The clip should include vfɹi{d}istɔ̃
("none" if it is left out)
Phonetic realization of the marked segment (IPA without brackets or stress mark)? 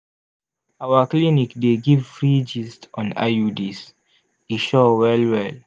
d͡ʒ